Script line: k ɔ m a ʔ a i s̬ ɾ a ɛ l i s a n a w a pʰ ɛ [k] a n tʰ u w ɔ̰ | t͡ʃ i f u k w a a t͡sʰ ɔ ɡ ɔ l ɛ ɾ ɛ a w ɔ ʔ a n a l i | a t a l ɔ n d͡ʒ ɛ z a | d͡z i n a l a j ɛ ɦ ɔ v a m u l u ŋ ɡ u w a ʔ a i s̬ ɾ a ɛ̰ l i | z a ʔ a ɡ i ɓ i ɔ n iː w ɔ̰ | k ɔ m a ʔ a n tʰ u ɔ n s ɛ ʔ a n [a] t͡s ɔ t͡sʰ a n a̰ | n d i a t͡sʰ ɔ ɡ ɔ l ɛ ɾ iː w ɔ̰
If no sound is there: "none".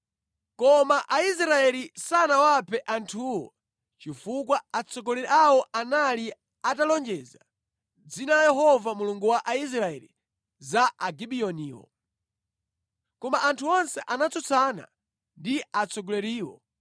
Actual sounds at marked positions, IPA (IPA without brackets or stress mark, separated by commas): ʔ, a